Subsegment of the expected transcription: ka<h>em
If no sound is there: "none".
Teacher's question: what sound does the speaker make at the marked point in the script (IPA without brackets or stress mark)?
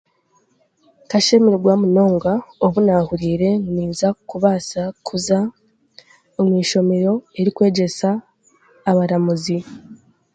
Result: ʃ